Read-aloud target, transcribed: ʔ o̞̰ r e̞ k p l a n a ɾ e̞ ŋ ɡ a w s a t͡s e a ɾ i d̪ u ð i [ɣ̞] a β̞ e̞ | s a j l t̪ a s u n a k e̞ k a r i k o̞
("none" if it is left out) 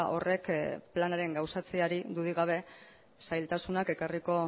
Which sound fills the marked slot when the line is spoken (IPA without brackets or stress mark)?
ɣ̞